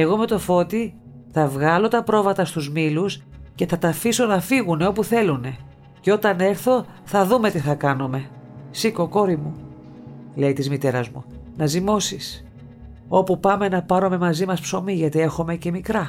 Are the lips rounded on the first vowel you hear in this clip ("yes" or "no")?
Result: no